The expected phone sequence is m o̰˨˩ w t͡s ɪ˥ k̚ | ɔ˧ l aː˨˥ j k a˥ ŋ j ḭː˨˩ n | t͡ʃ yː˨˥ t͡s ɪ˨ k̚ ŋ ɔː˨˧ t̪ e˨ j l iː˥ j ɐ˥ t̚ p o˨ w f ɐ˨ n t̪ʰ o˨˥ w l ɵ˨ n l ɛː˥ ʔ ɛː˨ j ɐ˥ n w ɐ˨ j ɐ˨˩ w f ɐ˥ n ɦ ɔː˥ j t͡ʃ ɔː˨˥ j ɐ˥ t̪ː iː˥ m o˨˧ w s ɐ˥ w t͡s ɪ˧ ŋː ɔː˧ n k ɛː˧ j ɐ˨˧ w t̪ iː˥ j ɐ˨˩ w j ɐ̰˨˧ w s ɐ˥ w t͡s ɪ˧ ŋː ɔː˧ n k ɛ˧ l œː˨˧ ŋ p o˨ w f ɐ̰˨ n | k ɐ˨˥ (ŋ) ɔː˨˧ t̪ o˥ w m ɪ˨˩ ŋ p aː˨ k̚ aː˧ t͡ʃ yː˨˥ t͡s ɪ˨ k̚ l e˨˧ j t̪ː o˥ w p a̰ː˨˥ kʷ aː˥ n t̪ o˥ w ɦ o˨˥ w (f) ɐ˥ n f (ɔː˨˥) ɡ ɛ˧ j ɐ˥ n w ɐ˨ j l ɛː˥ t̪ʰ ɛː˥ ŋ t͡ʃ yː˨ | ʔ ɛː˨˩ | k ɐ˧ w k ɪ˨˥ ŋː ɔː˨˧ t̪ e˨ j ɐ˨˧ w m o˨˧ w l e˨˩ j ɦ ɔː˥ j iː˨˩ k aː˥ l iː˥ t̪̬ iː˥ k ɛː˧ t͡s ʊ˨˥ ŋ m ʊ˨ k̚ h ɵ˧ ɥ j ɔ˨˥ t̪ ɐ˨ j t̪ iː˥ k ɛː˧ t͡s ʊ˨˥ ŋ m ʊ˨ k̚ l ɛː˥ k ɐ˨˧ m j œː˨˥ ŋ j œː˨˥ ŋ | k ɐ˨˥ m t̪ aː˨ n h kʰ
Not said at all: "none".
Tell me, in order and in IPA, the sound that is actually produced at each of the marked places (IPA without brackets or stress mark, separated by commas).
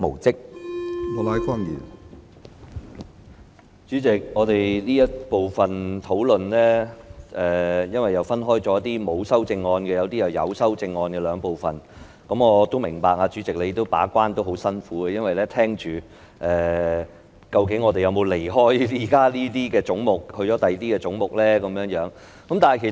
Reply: m, s, uː˨˥